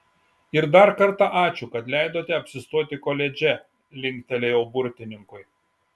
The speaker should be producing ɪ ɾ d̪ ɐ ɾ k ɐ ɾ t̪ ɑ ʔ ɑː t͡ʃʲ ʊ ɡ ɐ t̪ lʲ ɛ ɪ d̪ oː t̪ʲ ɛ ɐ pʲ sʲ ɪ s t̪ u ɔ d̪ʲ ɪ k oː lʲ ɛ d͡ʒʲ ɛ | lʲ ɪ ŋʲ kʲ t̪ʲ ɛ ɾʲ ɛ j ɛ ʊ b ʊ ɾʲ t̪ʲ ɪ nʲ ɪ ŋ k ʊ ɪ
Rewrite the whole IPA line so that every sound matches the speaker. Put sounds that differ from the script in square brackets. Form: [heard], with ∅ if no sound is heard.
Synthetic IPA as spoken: ɪ ɾ d̪ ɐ ɾ k ɐ ɾ t̪ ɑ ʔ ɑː t͡ʃʲ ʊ [k] ɐ t̪ lʲ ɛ ɪ d̪ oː t̪ʲ ɛ ɐ pʲ sʲ ɪ s t̪ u ɔ [t̪ʲ] ɪ k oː lʲ ɛ d͡ʒʲ ɛ | lʲ ɪ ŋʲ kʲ t̪ʲ ɛ [lʲ] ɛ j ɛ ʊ b ʊ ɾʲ t̪ʲ ɪ nʲ ɪ ŋ k ʊ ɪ